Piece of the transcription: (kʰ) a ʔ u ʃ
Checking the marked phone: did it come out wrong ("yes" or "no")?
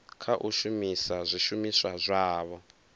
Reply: no